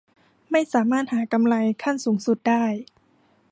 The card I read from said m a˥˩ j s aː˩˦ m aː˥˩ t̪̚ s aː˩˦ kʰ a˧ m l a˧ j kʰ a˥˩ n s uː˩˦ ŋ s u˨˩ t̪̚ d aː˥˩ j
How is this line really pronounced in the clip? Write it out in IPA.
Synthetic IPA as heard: m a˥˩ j s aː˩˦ m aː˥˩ t̪̚ h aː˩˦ k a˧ m l a˧ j kʰ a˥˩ n s uː˩˦ ŋ s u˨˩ t̪̚ d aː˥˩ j